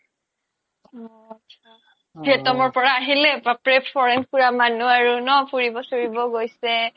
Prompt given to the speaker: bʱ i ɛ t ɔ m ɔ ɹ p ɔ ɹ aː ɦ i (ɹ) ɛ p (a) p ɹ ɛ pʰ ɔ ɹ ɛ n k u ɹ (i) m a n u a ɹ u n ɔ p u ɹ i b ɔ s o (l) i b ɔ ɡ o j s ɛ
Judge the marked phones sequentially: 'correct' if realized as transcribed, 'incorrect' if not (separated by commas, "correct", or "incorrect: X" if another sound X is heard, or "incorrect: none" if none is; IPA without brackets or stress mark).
incorrect: l, correct, incorrect: a, incorrect: ɹ